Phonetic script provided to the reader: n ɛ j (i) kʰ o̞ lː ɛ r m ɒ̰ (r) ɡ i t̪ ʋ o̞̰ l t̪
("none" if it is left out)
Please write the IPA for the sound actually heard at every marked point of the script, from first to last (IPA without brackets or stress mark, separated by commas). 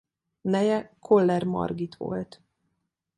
ɛ, r